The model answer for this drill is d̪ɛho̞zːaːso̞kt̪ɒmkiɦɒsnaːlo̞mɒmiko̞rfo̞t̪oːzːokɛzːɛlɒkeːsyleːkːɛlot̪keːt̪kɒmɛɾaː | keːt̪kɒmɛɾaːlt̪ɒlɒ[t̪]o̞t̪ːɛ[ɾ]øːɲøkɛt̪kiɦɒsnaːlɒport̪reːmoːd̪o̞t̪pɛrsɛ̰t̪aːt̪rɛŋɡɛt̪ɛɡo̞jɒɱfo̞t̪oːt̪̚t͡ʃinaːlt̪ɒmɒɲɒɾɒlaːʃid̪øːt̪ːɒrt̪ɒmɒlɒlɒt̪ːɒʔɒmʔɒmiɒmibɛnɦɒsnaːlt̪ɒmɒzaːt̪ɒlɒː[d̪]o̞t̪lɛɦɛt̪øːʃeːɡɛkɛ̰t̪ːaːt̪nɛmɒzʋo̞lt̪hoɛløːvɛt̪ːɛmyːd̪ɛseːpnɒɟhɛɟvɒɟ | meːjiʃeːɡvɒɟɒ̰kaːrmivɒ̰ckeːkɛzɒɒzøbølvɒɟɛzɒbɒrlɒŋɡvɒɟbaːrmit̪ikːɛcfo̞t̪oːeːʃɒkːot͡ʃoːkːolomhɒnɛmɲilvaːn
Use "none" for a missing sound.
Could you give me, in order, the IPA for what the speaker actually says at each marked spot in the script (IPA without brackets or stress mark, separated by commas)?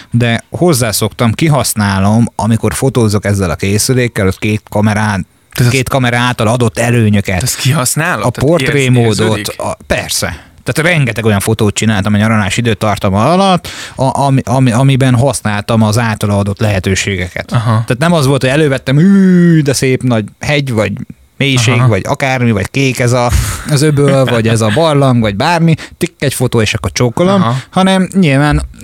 d̪, l, d̪